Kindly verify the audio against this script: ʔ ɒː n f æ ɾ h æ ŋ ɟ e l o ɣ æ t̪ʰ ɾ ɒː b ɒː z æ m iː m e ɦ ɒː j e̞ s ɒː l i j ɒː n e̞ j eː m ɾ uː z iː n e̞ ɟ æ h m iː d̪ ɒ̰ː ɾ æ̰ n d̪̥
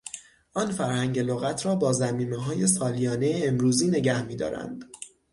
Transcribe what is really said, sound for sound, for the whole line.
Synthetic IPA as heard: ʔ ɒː n f æ ɾ h æ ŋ ɟ e l o ɣ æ t̪ʰ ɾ ɒː b ɒː z æ m iː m e ɦ ɒː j e̞ s ɒː l i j ɒː n e̞ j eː m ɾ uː z iː n e̞ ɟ æ h m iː d̪ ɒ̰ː ɾ æ̰ n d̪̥